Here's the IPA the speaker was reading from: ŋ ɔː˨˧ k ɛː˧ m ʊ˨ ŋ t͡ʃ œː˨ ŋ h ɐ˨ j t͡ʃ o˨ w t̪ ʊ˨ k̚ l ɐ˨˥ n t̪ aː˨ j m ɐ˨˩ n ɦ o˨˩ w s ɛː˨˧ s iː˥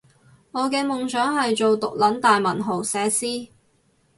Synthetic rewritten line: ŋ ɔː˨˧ k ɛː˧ m ʊ˨ ŋ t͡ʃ œː˨˥ ŋ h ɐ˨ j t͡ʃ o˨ w t̪ ʊ˨ k̚ l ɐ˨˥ n t̪ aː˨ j m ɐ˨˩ n ɦ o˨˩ w s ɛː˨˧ s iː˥